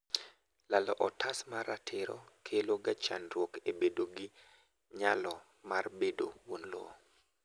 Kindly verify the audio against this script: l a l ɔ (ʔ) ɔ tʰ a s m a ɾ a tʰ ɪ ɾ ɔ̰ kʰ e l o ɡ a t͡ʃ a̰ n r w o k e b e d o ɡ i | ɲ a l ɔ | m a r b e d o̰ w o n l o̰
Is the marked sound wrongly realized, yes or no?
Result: no